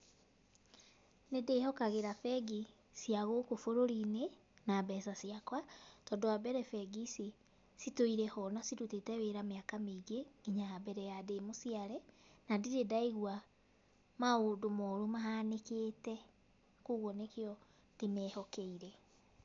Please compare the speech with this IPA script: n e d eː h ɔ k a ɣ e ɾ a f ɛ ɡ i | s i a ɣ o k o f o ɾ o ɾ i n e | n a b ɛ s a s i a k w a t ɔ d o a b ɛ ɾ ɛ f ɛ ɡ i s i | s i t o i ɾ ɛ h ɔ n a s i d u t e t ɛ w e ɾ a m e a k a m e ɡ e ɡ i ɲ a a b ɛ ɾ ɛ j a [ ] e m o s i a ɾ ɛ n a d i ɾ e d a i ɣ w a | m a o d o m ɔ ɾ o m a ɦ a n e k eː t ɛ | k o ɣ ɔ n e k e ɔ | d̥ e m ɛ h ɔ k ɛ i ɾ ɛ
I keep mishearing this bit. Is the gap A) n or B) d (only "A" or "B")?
B